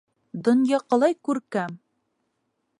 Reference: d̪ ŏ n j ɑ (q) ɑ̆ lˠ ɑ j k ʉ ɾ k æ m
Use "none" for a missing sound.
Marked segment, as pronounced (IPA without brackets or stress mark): q